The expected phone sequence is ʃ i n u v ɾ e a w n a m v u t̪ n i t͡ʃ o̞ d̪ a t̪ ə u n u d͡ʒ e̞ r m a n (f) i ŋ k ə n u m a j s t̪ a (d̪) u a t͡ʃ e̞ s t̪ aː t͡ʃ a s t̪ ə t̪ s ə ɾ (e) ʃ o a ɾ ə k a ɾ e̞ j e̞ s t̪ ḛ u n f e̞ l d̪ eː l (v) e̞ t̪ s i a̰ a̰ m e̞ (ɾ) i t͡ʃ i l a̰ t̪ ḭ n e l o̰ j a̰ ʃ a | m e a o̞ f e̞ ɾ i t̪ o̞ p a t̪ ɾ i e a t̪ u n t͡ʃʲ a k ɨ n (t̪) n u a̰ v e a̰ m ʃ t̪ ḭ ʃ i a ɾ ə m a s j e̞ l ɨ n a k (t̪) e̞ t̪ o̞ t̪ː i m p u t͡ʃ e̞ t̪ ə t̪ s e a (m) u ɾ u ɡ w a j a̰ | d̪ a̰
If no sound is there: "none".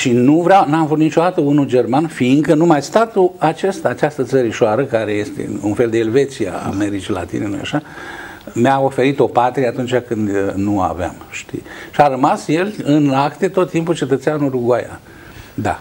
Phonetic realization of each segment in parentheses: f, t̪, i, v, ɾ, d̪, t̪, n

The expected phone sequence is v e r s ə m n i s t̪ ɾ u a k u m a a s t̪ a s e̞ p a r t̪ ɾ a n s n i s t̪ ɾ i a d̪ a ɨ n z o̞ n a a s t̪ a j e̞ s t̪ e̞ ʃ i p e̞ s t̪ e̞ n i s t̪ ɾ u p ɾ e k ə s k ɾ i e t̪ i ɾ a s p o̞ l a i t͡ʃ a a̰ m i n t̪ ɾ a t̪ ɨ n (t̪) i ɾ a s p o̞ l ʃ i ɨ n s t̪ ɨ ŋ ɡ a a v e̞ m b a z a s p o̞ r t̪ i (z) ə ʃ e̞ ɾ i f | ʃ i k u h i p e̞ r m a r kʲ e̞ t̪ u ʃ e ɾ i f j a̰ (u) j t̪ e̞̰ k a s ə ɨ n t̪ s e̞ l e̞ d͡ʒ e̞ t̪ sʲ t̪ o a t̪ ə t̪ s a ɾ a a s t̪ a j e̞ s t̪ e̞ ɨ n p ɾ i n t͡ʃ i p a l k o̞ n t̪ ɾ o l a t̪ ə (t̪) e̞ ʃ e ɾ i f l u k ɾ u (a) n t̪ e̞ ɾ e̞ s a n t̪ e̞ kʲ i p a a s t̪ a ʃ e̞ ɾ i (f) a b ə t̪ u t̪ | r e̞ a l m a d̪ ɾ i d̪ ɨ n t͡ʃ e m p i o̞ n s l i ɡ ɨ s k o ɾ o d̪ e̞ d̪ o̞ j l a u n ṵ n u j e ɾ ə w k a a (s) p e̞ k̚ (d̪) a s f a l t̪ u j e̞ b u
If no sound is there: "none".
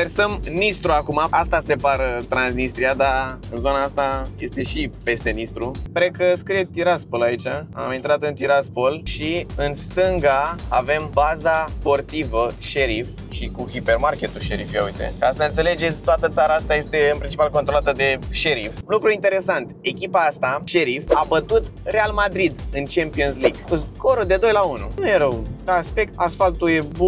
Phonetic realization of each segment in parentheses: t̪, v, u, d̪, i, f, s, t̪

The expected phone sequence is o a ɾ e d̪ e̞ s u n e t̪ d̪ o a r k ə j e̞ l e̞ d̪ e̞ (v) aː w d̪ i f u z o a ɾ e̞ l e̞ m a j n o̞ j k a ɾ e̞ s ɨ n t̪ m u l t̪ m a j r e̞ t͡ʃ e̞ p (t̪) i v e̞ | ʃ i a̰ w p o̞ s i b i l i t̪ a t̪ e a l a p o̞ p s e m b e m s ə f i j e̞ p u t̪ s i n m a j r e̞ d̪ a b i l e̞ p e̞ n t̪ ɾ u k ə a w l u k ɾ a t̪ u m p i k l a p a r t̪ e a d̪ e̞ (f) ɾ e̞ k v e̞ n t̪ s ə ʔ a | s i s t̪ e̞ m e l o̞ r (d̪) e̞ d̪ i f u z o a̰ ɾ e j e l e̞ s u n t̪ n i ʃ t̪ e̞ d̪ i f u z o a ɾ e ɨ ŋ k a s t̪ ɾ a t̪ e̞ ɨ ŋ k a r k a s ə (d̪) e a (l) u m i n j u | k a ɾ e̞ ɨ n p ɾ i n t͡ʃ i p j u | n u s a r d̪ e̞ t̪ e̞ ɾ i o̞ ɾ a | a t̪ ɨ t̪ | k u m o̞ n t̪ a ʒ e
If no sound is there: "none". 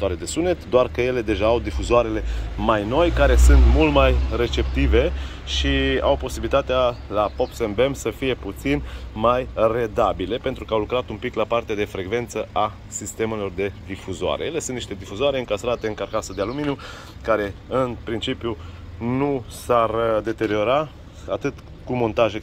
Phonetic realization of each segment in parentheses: ʒ, t̪, f, d̪, d̪, l

